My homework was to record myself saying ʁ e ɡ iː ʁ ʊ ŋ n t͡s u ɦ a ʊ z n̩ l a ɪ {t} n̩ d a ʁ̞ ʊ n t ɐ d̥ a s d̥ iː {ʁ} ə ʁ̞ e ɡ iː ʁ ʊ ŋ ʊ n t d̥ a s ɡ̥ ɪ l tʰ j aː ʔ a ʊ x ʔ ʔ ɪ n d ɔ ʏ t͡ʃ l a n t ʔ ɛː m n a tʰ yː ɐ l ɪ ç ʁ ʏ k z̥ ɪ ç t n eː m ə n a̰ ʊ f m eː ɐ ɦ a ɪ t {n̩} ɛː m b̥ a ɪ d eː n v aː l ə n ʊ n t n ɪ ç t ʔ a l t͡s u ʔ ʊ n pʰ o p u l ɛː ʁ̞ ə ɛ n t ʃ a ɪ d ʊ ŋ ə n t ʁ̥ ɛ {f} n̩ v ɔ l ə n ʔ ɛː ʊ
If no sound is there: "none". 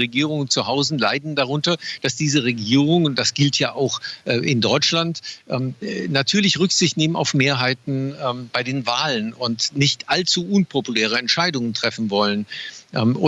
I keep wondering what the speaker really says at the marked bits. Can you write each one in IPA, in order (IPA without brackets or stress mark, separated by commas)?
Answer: d, z, n̩, f